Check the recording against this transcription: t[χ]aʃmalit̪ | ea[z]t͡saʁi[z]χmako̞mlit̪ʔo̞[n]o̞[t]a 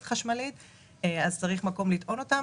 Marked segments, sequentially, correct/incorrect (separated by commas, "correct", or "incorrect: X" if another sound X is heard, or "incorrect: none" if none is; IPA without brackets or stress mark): correct, correct, incorrect: none, correct, correct